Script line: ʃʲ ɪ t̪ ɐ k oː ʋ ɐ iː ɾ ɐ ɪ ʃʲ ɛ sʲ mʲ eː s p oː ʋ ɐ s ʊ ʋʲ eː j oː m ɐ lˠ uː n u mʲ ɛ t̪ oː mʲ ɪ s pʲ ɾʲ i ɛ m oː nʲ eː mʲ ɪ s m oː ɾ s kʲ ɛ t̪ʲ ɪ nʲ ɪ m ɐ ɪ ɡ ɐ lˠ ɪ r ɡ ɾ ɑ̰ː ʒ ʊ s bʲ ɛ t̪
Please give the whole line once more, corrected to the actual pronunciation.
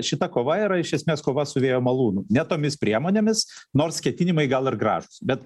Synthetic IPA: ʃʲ ɪ t̪ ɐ k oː ʋ ɐ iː ɾ ɐ ɪ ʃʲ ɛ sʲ mʲ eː s k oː ʋ ɐ s ʊ ʋʲ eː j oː m ɐ lˠ uː n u nʲ ɛ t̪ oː mʲ ɪ s pʲ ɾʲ i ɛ m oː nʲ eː mʲ ɪ s n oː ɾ s kʲ ɛ t̪ʲ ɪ nʲ ɪ m ɐ ɪ ɡ ɐ lˠ ɪ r ɡ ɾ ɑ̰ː ʒ ʊ s bʲ ɛ t̪